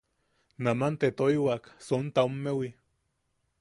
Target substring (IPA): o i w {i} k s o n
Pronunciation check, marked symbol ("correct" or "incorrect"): incorrect